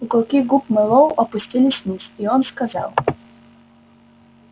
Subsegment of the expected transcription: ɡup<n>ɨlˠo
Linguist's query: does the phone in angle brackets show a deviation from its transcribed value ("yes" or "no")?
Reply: yes